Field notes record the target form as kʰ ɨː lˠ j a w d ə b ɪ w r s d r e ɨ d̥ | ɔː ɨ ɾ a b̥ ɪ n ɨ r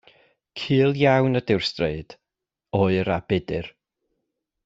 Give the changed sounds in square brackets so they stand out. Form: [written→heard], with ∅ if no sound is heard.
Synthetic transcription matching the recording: kʰ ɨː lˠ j a w [d→n] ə [b→d] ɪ w r s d r e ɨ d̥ | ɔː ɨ ɾ a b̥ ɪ [n→d] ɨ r